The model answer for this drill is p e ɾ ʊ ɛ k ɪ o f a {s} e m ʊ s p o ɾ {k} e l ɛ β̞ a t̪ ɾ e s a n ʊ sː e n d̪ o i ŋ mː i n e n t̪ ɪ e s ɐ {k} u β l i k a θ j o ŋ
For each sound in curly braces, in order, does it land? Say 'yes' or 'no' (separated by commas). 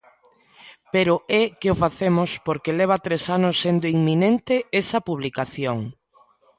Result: no, yes, no